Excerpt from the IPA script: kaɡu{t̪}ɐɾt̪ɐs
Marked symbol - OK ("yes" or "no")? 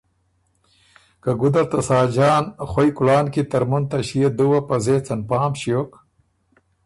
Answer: no